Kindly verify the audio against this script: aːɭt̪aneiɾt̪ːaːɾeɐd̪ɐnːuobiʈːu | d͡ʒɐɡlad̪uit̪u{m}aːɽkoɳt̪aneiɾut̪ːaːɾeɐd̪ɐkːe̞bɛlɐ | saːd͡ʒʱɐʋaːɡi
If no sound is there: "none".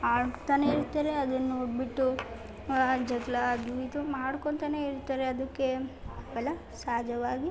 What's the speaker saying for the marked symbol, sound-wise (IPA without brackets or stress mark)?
m